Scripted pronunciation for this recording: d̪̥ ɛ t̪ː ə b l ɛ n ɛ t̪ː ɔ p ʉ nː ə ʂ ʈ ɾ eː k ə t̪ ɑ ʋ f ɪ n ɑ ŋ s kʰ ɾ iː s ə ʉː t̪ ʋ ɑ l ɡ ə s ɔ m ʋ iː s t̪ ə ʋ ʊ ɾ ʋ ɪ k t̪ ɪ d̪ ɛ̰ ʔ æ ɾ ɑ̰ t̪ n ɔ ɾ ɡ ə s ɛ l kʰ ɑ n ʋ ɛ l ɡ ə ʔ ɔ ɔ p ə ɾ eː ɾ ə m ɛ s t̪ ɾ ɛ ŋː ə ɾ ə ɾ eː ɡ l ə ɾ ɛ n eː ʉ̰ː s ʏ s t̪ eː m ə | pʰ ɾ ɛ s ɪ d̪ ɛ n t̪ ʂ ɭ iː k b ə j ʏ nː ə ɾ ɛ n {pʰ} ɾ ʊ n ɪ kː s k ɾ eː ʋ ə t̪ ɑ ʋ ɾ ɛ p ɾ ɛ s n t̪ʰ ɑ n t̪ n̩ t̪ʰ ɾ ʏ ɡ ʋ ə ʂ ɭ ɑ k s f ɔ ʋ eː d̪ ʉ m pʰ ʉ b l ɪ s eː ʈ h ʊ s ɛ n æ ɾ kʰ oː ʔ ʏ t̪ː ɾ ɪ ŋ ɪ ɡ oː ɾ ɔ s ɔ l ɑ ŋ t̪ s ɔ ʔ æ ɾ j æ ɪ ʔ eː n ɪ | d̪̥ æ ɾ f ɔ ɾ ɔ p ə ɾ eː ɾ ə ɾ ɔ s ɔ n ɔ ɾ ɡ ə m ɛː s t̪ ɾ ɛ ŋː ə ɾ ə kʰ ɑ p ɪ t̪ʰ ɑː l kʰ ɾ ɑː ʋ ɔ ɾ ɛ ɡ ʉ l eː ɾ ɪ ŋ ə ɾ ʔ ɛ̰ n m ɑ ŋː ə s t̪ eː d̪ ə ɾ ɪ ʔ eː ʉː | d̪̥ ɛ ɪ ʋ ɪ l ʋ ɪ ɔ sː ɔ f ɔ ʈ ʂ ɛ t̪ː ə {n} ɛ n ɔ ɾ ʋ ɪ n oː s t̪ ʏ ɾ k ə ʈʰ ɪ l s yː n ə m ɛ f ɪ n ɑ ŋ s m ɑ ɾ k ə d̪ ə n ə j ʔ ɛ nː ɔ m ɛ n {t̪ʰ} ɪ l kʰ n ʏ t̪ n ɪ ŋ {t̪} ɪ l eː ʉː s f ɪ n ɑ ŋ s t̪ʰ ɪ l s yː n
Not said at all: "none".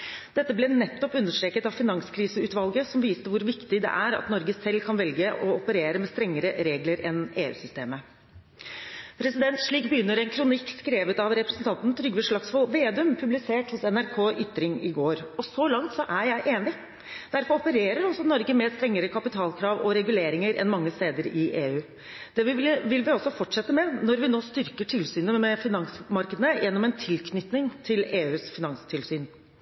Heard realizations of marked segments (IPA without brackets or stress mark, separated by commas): kʰ, m, t̪ʰ, t̪ʰ